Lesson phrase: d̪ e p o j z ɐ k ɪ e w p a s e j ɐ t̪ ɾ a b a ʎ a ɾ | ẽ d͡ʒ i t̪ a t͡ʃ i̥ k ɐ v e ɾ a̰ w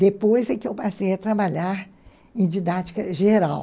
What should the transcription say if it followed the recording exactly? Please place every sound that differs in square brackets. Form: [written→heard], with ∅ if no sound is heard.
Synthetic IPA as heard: d̪ e p o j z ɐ k ɪ e w p a s e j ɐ t̪ ɾ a b a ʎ a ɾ | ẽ d͡ʒ i [t̪→d̪] a t͡ʃ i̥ k ɐ [v→ʒ] e ɾ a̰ w